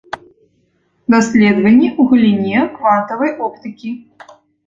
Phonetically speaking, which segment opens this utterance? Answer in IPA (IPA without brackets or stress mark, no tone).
d̪